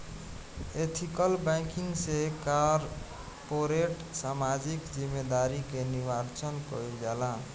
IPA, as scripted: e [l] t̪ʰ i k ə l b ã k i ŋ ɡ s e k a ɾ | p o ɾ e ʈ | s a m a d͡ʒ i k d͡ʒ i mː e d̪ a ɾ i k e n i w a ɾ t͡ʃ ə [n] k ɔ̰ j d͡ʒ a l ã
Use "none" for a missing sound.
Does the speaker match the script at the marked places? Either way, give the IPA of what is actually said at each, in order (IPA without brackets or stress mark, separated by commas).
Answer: none, n